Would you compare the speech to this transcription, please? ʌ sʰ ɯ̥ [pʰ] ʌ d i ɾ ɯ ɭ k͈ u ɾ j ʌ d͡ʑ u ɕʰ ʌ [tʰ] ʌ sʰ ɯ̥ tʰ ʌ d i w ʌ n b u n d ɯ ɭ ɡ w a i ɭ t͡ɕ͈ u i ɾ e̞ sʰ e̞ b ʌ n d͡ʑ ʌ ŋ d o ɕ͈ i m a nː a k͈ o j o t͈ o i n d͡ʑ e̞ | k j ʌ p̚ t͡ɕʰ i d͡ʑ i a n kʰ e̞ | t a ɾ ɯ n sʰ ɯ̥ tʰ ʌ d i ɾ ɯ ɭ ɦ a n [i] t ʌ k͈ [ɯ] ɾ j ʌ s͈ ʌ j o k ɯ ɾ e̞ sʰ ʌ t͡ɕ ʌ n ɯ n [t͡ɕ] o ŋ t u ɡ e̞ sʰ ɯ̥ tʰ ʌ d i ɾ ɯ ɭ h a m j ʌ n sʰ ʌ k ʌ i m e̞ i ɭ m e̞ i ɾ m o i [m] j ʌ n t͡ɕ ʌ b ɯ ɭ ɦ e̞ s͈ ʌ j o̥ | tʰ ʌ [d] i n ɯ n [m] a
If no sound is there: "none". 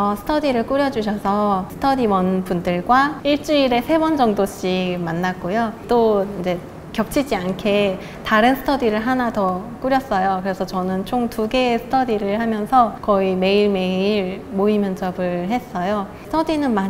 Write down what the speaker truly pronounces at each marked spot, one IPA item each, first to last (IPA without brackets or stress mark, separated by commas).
tʰ, sʰ, a, u, t͡ɕʰ, m, d, m